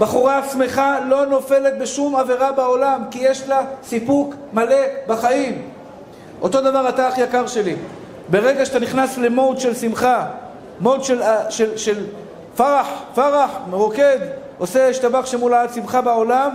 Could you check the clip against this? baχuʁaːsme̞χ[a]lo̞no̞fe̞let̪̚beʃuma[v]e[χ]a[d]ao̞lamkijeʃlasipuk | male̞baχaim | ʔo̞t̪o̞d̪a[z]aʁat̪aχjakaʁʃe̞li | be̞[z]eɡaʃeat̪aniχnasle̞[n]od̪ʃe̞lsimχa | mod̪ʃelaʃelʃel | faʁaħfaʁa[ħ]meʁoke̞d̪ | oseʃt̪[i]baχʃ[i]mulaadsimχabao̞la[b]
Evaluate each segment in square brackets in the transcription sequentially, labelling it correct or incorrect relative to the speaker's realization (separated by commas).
correct, correct, incorrect, incorrect, incorrect, incorrect, incorrect, correct, incorrect, incorrect, incorrect